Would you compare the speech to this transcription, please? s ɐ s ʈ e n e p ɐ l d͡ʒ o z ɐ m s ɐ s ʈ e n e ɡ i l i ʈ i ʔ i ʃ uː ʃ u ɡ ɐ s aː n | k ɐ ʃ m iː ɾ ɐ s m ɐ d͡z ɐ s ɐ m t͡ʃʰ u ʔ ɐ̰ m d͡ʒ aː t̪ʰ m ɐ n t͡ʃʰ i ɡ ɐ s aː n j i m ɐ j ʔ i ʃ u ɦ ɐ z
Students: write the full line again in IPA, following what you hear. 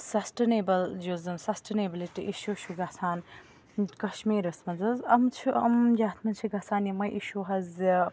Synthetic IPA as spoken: s ɐ s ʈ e n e b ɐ l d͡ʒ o z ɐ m s ɐ s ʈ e n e b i l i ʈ i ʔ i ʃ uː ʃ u ɡ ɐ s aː n | k ɐ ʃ m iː ɾ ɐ s m ɐ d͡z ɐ z ɐ m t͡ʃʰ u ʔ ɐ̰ m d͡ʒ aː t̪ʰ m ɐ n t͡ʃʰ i ɡ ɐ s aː n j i m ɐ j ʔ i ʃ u ɦ ɐ z